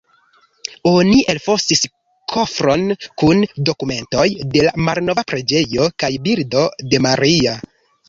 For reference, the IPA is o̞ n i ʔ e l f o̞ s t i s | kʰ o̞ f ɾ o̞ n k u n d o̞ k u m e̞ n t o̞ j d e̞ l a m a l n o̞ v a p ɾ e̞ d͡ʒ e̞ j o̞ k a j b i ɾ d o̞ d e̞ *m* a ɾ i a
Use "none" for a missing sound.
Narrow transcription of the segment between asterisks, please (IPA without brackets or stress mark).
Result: m